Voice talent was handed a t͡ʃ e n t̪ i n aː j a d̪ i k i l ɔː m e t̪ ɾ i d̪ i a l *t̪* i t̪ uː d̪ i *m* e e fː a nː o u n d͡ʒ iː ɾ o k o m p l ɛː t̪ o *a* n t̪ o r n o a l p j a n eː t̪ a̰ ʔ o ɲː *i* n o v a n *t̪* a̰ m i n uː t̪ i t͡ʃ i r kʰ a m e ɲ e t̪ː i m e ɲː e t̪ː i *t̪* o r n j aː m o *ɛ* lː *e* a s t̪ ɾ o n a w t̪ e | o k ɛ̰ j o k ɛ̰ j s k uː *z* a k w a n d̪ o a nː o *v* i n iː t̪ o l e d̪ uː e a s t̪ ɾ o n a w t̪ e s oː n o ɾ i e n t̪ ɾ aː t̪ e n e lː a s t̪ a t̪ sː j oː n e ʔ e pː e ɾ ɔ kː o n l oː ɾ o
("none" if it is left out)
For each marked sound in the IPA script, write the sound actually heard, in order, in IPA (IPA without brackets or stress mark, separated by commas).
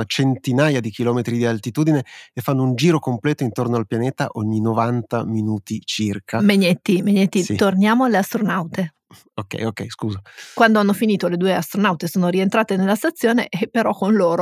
t̪, n, i, i, t̪, t̪, a, e, z, f